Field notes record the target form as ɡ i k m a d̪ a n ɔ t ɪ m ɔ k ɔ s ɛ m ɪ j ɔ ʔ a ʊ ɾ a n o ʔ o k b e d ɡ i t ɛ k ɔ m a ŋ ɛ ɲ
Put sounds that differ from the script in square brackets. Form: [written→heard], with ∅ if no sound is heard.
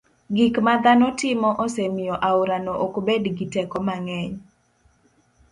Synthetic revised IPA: ɡ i k m a d̪ a n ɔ t ɪ m ɔ [k→ʔ] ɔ s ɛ m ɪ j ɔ ʔ a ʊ ɾ a n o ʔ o k b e d ɡ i t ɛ k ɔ m a ŋ ɛ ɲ